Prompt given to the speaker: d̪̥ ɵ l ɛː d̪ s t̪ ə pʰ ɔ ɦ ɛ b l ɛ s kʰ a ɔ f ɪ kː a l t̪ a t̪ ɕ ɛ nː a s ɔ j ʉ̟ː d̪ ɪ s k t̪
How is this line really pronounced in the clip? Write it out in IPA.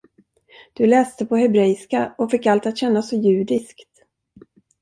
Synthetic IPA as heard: d̪̥ ɵ l ɛː s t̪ ə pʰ ɔ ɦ ɛ b ɾ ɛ s k a ɔ f ɪ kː a l t̪ a t̪ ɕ ɛ nː a s ɔ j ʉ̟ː d̪ ɪ s k t̪